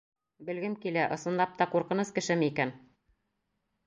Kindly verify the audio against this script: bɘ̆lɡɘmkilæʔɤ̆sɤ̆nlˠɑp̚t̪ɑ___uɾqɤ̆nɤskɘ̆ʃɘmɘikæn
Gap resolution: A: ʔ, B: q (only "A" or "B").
B